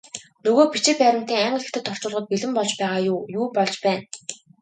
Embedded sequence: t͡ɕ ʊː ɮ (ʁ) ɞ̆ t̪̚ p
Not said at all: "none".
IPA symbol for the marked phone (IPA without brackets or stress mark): ʁ